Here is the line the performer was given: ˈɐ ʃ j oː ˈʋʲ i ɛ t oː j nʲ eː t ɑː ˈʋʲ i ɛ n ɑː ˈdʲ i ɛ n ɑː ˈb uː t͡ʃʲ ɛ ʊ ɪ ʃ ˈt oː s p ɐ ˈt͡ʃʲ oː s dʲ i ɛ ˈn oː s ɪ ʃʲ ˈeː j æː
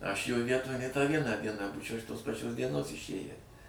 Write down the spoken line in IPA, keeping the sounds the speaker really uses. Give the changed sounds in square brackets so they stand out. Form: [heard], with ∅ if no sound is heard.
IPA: ˈɐ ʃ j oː ˈʋʲ i ɛ t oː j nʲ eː t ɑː ˈʋʲ i ɛ n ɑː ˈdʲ i ɛ n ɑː ˈb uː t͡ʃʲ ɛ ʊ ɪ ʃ ˈt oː s p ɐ ˈt͡ʃʲ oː s dʲ i ɛ ˈn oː s ɪ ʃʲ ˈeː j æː